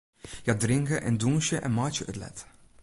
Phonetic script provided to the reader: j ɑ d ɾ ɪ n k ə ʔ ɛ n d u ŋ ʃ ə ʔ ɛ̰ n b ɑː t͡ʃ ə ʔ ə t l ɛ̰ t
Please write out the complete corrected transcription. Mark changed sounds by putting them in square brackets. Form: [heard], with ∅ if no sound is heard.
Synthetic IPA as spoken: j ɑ d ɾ ɪ [ŋ] k ə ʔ ɛ n d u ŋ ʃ ə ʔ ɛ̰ n [m] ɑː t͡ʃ ə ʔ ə t l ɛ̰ t